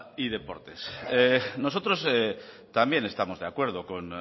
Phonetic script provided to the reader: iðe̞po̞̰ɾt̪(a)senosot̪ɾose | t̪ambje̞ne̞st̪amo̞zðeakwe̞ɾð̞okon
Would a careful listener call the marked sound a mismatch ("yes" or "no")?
yes